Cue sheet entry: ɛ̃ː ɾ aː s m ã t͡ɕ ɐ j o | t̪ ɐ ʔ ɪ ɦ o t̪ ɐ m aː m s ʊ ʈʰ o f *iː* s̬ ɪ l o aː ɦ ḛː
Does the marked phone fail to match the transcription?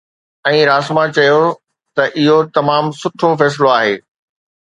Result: yes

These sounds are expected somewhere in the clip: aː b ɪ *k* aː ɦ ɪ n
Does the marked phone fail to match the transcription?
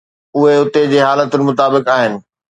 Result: no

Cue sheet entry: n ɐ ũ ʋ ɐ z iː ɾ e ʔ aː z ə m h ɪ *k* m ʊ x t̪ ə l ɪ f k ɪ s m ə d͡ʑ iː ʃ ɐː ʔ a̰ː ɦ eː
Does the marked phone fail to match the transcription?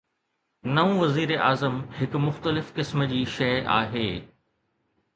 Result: no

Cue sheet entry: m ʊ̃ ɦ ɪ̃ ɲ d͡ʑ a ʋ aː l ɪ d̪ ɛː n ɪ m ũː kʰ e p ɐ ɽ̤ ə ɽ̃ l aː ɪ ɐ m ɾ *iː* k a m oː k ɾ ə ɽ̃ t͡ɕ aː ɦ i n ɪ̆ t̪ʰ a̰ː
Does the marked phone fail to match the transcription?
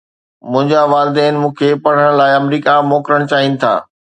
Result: no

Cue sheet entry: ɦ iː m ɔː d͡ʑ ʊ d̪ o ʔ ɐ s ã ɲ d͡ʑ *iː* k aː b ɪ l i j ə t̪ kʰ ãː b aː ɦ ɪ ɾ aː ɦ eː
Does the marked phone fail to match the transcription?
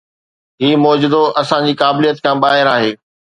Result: no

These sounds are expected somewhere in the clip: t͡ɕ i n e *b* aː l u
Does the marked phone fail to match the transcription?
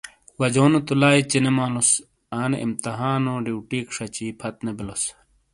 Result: yes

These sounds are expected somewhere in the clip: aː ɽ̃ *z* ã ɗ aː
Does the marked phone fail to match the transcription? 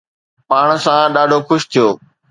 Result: yes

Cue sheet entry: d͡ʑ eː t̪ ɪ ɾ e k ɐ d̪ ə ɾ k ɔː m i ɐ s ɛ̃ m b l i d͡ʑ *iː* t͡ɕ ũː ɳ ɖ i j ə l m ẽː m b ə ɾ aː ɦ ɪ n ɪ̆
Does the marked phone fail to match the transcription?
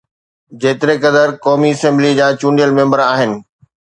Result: yes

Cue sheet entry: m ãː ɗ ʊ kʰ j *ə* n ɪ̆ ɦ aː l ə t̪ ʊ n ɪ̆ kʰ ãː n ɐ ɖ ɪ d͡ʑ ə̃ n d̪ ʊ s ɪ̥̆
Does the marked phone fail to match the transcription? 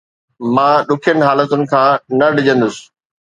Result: no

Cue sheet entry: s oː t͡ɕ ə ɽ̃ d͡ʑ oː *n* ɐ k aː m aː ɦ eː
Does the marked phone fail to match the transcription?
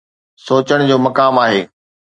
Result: yes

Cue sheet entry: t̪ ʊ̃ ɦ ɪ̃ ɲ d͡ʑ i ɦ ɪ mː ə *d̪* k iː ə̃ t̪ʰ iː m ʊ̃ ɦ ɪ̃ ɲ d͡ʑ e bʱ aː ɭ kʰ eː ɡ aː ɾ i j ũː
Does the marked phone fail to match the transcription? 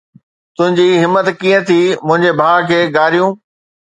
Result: yes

